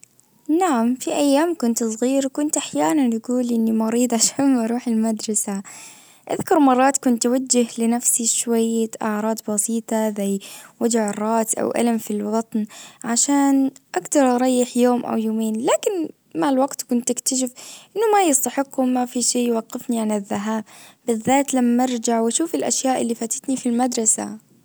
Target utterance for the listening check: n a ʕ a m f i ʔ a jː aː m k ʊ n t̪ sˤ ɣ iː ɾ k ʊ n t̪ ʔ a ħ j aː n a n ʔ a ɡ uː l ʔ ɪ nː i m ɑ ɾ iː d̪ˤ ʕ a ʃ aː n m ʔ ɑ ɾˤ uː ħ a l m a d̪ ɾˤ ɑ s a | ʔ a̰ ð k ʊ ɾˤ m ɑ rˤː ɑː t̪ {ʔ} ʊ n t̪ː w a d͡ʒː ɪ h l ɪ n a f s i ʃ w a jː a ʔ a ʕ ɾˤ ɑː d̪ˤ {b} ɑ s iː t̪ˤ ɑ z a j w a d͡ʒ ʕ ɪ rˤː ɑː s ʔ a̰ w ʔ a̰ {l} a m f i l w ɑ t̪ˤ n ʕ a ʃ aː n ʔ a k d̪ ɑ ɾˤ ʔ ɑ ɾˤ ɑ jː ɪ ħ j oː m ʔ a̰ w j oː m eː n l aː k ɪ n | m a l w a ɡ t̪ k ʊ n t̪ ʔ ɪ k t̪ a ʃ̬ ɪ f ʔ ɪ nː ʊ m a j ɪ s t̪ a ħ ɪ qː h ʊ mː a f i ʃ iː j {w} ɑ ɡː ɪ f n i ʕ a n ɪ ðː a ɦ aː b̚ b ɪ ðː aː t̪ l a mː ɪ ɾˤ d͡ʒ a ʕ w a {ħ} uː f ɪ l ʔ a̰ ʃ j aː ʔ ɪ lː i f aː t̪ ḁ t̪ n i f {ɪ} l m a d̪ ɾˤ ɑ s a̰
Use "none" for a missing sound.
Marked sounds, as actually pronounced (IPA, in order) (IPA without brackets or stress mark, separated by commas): k, b, l, w, ʃ, i